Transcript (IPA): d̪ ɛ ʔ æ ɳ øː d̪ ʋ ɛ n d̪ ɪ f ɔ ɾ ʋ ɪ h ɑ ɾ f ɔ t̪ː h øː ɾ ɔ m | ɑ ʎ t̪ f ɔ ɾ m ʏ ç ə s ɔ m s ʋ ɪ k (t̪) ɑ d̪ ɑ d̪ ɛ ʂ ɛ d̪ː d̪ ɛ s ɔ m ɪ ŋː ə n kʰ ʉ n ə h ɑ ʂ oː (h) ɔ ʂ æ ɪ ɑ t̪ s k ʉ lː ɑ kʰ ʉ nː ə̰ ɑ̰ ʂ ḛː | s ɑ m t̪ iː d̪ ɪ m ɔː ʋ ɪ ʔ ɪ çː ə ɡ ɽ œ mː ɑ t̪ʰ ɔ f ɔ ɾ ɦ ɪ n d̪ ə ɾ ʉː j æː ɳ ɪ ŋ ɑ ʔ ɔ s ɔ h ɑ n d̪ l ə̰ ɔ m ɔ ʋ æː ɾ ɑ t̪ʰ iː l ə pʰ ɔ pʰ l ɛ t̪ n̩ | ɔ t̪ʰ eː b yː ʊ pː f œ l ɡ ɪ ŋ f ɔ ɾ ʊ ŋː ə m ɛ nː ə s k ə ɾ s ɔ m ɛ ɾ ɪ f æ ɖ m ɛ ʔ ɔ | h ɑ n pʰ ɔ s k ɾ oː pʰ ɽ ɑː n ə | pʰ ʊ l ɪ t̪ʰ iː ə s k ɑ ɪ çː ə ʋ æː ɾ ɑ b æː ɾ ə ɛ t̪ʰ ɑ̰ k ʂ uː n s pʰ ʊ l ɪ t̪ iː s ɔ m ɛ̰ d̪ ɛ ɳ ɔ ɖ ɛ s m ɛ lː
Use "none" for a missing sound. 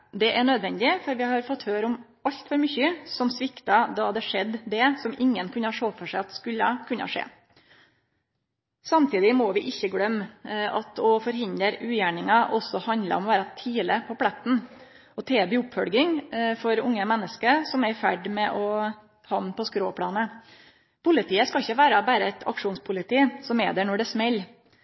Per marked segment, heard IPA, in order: t̪, f

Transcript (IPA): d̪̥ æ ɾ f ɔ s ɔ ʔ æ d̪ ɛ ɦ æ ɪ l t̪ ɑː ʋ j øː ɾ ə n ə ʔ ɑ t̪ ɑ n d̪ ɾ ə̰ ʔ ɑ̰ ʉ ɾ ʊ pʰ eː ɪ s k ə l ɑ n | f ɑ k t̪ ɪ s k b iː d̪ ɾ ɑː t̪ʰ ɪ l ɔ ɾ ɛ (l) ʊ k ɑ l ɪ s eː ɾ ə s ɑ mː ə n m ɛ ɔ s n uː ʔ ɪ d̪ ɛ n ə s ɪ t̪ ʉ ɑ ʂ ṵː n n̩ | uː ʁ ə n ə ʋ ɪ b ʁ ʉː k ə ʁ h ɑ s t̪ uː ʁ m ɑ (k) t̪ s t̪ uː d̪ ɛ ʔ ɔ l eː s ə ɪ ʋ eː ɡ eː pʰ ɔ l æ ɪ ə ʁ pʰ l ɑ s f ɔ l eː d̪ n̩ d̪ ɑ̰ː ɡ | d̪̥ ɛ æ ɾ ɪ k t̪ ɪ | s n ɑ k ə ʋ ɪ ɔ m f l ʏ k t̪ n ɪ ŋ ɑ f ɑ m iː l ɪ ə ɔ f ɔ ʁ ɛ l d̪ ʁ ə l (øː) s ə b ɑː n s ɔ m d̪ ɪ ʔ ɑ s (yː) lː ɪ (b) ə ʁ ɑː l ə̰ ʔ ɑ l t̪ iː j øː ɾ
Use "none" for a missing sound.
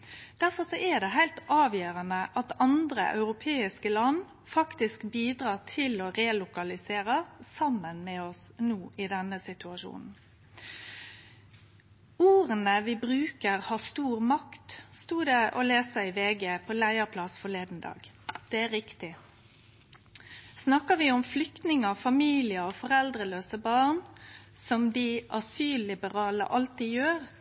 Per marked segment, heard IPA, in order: l, k, øː, yː, b

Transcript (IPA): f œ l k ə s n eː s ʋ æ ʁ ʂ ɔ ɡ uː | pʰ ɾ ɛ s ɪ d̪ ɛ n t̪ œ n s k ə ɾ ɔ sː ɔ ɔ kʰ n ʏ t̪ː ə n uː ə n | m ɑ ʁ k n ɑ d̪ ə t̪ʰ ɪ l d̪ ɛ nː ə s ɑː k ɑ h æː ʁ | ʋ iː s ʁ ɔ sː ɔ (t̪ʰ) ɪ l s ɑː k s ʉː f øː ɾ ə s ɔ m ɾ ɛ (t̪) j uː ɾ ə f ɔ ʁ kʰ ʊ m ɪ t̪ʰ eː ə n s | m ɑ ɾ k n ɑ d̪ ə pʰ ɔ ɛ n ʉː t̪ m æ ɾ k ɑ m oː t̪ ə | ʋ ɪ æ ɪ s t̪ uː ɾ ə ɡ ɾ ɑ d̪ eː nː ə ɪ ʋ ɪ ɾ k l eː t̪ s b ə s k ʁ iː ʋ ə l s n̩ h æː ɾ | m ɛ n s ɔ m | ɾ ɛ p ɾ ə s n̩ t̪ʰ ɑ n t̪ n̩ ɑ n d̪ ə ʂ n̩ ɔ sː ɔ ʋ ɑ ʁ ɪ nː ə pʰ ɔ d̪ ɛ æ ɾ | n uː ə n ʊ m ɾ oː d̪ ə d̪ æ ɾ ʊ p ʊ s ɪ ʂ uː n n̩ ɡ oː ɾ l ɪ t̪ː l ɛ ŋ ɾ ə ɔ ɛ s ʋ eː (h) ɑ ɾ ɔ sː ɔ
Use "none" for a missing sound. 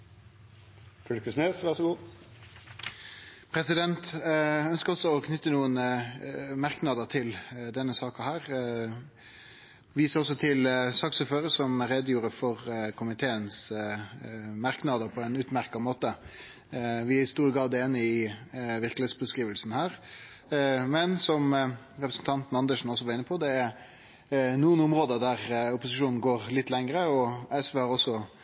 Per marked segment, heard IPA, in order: t̪ʰ, d̪, h

